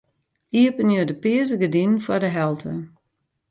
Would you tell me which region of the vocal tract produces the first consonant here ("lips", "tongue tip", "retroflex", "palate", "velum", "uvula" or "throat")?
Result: lips